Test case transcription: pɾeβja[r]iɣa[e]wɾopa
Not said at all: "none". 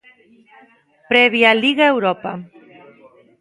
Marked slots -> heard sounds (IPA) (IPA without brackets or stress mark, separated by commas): l, e